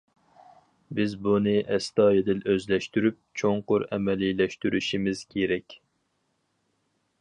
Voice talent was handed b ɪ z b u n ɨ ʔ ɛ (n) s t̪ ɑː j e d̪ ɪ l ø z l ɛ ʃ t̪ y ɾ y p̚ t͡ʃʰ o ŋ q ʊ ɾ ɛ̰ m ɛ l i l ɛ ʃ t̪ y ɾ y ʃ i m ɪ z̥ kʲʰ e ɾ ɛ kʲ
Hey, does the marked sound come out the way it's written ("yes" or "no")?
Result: no